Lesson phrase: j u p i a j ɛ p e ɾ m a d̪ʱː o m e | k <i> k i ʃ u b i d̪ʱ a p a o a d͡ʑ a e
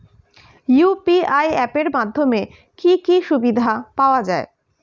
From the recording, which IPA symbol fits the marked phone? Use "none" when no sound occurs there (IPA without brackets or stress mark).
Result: i